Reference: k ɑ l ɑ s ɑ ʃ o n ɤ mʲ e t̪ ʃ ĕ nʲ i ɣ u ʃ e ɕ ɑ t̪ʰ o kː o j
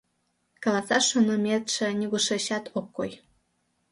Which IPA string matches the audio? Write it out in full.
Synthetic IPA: k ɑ l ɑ s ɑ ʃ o n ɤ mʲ e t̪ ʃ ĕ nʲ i ɣ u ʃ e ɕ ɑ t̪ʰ o kː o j